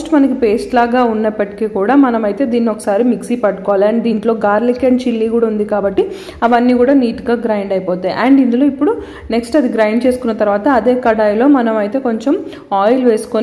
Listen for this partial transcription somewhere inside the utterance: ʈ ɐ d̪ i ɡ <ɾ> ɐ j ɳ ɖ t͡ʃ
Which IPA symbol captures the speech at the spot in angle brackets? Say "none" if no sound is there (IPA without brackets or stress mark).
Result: ɾ